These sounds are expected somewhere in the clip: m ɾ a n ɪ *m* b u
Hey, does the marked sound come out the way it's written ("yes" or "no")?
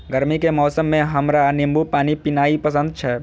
yes